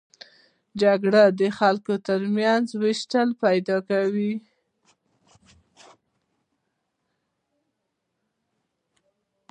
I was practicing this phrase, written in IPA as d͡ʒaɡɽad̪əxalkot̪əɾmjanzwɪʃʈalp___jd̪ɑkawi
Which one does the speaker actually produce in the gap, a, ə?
a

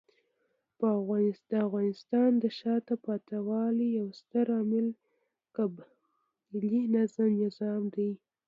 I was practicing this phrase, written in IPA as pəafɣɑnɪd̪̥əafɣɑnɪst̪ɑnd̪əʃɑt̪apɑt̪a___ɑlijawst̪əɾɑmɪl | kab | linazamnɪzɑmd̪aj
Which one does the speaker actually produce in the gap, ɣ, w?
w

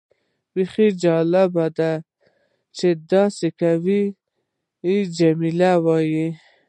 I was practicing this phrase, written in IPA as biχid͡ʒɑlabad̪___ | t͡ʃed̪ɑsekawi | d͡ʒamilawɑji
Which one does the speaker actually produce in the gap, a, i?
a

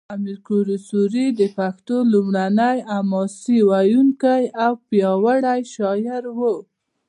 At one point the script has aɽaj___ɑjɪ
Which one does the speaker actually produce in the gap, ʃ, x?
ʃ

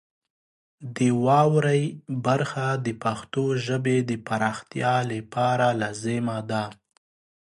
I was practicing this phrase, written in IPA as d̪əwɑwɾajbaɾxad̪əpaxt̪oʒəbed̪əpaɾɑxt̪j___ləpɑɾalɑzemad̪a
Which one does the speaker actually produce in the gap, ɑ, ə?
ɑ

